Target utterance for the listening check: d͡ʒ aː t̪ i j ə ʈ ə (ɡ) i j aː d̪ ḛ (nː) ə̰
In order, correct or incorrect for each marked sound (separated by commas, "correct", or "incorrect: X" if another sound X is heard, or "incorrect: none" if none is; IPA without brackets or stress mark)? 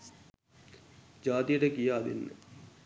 incorrect: k, correct